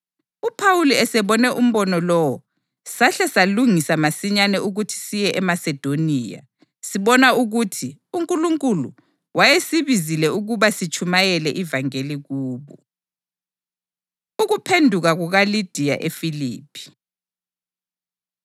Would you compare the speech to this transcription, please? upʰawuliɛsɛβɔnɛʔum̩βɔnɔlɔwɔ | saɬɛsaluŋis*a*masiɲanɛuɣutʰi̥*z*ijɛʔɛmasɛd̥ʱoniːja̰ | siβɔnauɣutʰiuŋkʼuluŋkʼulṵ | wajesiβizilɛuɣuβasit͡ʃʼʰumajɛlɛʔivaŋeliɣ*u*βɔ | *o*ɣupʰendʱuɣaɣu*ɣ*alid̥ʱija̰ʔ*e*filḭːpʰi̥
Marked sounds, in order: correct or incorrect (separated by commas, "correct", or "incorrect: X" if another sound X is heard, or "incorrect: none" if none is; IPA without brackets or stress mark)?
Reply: correct, incorrect: s, incorrect: uː, incorrect: u, correct, correct